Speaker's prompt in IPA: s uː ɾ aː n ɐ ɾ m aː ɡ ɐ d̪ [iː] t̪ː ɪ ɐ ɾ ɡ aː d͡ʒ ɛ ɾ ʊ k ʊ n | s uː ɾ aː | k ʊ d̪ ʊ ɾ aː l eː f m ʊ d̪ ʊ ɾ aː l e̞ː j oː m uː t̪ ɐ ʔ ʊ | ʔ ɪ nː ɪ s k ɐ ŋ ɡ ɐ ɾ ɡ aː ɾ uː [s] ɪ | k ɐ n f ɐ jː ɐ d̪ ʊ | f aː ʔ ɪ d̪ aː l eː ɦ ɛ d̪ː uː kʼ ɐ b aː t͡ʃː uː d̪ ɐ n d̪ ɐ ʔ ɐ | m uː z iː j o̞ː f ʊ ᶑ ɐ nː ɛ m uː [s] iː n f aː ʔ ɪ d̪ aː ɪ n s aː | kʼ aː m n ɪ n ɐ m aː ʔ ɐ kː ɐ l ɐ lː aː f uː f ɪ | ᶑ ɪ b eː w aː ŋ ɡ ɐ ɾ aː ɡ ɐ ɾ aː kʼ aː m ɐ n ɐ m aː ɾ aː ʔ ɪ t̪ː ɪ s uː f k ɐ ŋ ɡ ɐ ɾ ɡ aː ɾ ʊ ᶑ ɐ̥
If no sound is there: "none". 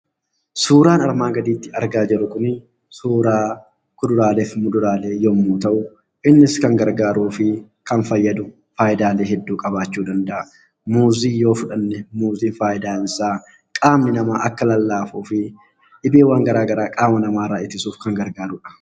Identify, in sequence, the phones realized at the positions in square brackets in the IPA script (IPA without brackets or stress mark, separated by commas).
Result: iː, f, z